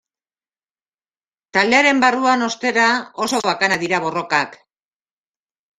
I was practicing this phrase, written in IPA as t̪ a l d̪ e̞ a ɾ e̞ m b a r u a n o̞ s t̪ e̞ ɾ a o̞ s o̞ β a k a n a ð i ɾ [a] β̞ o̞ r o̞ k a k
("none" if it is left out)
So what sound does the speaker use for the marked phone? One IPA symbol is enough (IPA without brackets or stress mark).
a